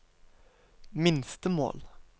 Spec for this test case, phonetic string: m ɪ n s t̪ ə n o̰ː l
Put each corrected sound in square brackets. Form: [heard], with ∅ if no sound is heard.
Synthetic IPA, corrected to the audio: m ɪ n s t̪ ə [m] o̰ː l

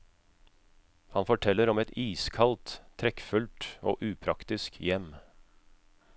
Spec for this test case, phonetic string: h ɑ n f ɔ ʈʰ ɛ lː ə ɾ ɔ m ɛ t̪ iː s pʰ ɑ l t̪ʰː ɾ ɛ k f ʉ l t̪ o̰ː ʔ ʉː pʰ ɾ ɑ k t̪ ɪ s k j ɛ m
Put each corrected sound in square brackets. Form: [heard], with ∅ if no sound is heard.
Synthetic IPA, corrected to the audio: h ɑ n f ɔ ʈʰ ɛ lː ə ɾ ɔ m ɛ t̪ iː s [kʰ] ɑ l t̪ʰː ɾ ɛ k f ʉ l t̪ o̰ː ʔ ʉː pʰ ɾ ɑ k t̪ ɪ s k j ɛ m

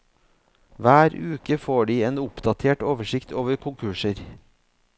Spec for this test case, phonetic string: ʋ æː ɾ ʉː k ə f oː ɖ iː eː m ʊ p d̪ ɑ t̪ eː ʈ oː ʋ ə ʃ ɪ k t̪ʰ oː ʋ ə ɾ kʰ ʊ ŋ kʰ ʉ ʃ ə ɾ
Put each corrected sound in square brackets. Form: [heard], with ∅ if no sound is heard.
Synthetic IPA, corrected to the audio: ʋ æː ɾ ʉː k ə f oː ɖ iː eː [n] ʊ p d̪ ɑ [t̪ʰ] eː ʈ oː ʋ ə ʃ ɪ k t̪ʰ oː ʋ ə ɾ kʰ ʊ ŋ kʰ ʉ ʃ ə ɾ

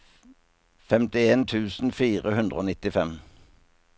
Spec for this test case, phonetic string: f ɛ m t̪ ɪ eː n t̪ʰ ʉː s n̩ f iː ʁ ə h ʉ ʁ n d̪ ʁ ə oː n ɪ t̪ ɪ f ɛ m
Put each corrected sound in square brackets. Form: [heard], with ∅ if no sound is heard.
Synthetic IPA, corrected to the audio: f ɛ m t̪ ɪ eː n t̪ʰ ʉː s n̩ f iː ʁ ə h ʉ [∅] n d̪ ʁ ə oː n ɪ t̪ ɪ f ɛ m

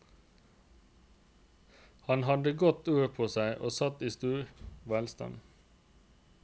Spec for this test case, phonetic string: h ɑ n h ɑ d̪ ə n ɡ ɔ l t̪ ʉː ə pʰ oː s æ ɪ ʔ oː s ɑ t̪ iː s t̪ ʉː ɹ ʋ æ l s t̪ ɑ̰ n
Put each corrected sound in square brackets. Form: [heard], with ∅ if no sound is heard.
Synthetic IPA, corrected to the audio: h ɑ n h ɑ d̪ ə [∅] ɡ ɔ [∅] t̪ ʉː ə pʰ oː s æ ɪ ʔ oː s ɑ t̪ iː s t̪ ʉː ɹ ʋ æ l s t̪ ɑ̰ n

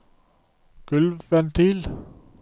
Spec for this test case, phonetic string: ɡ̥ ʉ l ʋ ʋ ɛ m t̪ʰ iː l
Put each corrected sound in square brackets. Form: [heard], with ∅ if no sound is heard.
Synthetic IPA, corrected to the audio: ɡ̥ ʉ l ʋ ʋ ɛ [n] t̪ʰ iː l

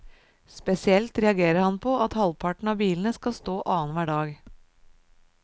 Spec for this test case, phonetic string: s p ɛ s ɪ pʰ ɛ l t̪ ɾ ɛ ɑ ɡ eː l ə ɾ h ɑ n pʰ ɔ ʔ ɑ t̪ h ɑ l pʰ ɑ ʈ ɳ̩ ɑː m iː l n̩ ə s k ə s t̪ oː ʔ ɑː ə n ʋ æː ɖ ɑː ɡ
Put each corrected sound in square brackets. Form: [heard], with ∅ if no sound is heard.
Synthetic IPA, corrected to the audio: s p ɛ s ɪ [∅] ɛ l t̪ ɾ ɛ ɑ ɡ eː [ɾ] ə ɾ h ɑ n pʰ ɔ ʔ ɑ t̪ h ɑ l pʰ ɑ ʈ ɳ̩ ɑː [b] iː l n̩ ə s k [ɑ] s t̪ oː ʔ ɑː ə n ʋ æː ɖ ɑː ɡ

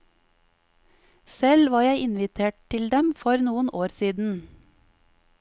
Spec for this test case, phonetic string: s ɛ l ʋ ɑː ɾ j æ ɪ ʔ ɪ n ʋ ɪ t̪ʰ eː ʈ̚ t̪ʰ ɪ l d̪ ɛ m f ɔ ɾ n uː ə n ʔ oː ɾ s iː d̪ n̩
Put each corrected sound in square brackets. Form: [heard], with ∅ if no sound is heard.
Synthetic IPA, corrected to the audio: s ɛ l ʋ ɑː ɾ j æ ɪ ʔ ɪ n ʋ ɪ t̪ʰ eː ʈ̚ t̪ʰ ɪ l d̪ ɛ m f ɔ ɾ n uː ə n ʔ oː ɾ s iː d̪ n̩

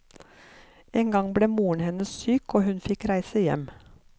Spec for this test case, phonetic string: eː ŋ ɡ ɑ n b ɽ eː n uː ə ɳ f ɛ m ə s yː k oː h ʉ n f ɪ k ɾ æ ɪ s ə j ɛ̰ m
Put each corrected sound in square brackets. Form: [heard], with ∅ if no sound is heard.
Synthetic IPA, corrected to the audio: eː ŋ ɡ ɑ [ŋ] b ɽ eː [m] uː ə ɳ [h] ɛ [n] ə s yː k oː h ʉ n f ɪ k ɾ æ ɪ s ə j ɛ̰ m

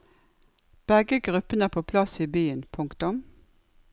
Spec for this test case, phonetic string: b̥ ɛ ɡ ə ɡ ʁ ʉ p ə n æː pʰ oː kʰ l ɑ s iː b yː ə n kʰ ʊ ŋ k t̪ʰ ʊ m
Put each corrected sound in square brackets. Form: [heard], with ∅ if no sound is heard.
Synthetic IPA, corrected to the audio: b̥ ɛ ɡ ə ɡ ʁ ʉ p ə n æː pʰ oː [pʰ] l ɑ s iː b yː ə n [pʰ] ʊ ŋ k [t̪] ʊ m

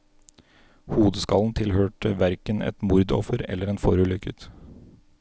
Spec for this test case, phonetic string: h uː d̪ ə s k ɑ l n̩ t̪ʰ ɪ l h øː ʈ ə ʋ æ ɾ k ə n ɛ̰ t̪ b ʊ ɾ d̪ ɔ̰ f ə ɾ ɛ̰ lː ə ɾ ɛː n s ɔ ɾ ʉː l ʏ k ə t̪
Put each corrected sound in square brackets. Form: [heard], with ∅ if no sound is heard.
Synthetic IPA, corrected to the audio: h uː d̪ ə s k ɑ l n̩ t̪ʰ ɪ l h øː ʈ ə ʋ æ ɾ k ə n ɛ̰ t̪ [m] ʊ ɾ d̪ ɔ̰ f ə ɾ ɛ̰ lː ə ɾ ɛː n [f] ɔ ɾ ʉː l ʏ k ə t̪

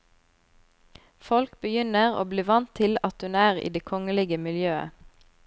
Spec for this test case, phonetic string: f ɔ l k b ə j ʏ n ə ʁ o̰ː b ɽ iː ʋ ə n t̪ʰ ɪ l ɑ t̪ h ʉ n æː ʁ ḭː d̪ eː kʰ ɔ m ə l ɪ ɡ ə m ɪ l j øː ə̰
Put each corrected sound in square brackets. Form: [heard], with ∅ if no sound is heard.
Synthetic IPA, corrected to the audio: f ɔ l k b ə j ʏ n ə ʁ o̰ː b [l] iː ʋ [ɑ] n t̪ʰ ɪ l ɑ t̪ h ʉ n æː ʁ ḭː d̪ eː kʰ ɔ [ŋ] ə l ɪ ɡ ə m ɪ l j øː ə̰

